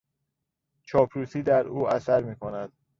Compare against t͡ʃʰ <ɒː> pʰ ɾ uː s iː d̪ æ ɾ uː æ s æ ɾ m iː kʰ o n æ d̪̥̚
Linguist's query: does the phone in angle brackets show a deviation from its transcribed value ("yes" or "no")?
no